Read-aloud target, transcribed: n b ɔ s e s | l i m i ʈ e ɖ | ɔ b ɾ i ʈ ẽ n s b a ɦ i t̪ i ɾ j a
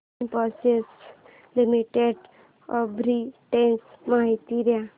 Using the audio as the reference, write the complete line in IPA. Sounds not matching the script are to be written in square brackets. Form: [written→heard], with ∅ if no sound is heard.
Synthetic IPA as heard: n [b→p] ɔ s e s | l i m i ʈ e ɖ | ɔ b ɾ i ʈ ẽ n s [b→m] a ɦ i t̪ i ɾ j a